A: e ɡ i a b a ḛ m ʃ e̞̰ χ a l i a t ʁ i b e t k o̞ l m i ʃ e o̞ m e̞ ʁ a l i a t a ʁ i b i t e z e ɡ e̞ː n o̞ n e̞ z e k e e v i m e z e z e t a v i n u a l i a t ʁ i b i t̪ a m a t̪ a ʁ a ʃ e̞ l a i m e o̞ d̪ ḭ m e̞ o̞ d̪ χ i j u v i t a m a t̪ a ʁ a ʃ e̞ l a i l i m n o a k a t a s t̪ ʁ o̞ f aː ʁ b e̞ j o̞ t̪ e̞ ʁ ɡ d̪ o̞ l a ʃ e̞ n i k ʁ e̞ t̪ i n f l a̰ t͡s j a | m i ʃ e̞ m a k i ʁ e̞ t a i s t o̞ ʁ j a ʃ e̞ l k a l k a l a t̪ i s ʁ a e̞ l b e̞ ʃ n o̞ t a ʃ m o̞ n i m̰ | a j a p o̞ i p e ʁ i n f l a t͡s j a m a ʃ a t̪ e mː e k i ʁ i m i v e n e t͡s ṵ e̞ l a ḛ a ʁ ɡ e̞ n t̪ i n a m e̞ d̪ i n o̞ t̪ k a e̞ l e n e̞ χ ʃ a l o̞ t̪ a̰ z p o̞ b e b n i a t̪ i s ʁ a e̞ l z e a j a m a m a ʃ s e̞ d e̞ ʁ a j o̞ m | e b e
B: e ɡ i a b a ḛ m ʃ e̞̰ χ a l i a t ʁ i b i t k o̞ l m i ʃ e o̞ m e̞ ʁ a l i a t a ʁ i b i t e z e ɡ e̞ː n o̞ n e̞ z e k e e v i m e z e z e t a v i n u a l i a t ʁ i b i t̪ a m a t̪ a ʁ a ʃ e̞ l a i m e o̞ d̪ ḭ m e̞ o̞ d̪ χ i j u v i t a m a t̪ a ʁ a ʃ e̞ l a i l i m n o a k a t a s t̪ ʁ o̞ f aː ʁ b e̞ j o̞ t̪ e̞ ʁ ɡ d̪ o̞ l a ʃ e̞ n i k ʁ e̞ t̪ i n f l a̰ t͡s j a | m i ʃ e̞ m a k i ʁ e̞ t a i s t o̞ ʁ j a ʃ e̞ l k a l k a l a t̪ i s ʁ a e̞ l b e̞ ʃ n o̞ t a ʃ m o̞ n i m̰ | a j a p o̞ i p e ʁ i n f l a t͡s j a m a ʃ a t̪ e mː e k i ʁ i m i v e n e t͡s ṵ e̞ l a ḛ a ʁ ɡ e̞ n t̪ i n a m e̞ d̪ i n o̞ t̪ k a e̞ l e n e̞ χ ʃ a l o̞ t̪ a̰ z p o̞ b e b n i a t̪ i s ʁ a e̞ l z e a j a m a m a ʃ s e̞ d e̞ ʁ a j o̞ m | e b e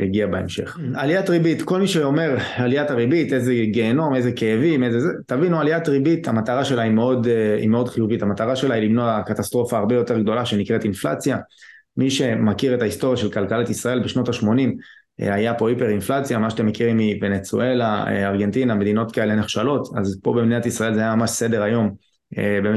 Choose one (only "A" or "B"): B